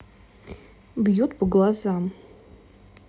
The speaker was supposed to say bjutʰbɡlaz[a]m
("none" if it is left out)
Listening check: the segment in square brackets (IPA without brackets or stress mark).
a